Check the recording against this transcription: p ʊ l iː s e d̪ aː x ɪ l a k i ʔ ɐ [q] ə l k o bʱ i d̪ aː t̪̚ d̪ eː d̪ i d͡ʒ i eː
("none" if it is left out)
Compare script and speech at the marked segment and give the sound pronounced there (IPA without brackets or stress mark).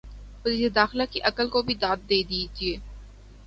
k